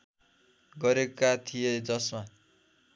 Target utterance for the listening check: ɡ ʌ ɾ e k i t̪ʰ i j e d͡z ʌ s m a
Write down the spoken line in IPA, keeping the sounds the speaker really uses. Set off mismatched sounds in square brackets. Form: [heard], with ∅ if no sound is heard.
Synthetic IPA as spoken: ɡ ʌ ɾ e k [a] t̪ʰ i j e d͡z ʌ s m a